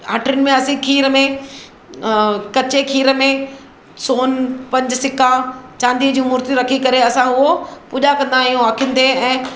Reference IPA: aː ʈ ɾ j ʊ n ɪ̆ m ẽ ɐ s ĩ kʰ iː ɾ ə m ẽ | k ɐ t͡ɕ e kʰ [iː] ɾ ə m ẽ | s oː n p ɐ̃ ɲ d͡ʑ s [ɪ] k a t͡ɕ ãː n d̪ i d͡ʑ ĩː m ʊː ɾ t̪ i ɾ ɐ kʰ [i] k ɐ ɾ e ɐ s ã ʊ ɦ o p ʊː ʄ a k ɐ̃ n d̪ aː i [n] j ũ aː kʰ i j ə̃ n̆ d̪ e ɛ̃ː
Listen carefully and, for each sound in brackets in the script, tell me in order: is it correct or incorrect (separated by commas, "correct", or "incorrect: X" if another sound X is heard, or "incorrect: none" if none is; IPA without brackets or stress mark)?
correct, correct, correct, incorrect: none